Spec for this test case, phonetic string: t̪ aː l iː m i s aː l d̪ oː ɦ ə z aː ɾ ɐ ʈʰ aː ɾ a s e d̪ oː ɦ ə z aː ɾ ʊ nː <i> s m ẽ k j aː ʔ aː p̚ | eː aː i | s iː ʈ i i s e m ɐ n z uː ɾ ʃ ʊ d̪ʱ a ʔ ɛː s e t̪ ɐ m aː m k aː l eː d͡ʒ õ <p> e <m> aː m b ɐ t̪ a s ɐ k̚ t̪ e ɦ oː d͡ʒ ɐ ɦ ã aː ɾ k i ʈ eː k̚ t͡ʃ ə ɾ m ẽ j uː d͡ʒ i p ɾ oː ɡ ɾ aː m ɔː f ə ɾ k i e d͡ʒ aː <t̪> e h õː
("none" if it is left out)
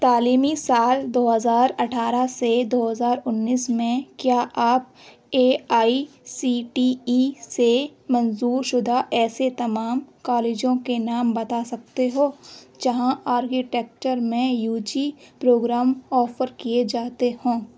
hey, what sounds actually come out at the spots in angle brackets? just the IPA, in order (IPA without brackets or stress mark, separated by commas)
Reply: iː, k, n, t̪